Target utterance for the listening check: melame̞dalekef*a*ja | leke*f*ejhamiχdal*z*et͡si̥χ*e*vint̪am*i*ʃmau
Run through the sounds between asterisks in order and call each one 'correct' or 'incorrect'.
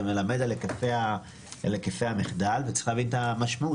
incorrect, correct, incorrect, incorrect, incorrect

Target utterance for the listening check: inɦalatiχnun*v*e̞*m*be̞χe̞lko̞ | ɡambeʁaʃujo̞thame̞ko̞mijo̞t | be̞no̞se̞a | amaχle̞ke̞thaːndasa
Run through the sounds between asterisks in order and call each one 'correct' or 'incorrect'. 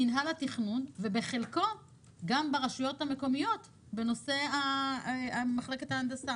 correct, incorrect

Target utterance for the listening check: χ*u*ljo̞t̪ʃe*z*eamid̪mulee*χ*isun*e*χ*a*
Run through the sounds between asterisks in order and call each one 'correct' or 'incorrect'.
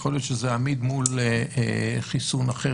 incorrect, correct, correct, incorrect, incorrect

